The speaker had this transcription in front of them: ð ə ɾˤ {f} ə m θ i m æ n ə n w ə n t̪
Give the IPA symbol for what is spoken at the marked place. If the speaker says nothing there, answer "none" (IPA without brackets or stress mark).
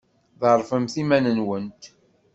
f